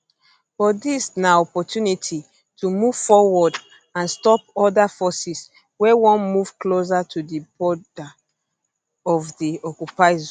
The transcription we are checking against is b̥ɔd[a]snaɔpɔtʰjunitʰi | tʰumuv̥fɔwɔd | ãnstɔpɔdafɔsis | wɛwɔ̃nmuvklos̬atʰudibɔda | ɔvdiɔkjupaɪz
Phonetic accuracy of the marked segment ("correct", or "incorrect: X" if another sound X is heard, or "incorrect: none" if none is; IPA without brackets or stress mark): incorrect: i